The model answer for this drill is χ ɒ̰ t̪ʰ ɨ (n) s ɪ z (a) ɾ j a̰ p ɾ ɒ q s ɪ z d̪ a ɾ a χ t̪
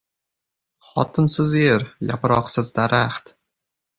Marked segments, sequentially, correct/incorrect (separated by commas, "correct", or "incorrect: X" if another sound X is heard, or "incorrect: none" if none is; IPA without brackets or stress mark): correct, incorrect: e